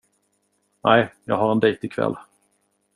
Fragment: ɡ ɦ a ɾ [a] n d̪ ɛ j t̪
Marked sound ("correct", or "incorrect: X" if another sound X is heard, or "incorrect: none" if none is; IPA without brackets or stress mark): incorrect: ɛ